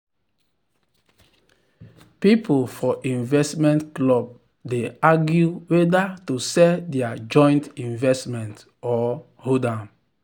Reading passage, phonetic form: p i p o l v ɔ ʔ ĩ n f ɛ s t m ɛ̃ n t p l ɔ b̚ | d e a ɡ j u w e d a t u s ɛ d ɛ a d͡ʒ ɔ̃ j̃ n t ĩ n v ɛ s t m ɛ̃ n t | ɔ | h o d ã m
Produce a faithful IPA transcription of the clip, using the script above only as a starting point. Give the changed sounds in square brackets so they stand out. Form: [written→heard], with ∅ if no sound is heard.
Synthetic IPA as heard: p i p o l [v→f] ɔ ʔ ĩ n [f→v] ɛ s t m ɛ̃ n t [p→k] l ɔ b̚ | d e a ɡ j u w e d a t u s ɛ d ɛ a d͡ʒ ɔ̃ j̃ n t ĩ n v ɛ s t m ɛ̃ n t | ɔ | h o d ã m